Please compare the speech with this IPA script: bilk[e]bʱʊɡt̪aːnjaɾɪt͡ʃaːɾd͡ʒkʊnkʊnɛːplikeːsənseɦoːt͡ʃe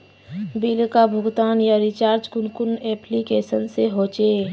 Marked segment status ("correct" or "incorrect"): incorrect